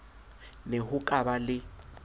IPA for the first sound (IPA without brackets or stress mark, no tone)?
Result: n